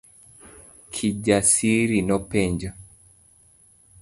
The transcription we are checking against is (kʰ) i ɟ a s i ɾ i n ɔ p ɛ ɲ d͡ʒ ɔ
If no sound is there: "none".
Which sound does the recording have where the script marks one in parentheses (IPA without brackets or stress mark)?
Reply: kʰ